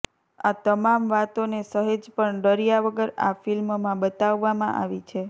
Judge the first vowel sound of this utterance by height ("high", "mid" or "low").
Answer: low